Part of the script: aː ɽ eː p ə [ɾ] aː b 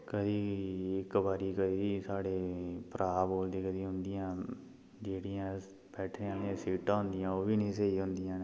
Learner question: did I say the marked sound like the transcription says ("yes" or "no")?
yes